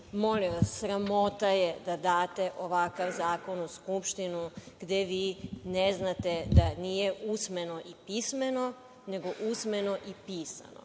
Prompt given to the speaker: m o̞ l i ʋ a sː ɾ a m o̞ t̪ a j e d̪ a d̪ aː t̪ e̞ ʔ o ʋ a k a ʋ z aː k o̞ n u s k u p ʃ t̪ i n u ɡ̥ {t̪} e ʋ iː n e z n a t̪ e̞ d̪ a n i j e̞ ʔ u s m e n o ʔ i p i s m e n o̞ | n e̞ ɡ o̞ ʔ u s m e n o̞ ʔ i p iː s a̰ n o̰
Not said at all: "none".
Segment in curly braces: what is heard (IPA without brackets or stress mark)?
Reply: d̪